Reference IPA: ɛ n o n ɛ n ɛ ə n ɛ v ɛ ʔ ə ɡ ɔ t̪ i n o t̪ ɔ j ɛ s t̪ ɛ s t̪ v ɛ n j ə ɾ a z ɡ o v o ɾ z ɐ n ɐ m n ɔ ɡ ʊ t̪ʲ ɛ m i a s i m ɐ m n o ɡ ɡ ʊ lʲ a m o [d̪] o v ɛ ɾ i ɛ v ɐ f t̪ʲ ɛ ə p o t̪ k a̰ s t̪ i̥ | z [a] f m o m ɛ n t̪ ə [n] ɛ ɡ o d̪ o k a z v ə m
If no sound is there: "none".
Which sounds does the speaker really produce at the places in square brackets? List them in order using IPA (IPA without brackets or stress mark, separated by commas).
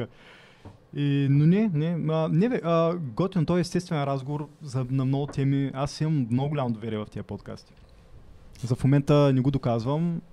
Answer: d̪, ɐ, n